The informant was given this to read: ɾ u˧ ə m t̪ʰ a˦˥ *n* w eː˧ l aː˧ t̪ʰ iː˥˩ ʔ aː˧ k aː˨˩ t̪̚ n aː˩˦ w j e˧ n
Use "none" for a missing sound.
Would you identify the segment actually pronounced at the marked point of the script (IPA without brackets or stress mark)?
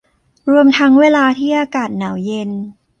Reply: ŋ